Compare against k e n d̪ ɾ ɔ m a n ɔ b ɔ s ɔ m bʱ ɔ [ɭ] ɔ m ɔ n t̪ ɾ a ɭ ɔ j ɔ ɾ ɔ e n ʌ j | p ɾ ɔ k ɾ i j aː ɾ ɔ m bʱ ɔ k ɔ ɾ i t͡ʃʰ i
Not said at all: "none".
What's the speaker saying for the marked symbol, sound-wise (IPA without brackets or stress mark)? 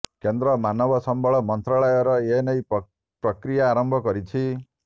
ɭ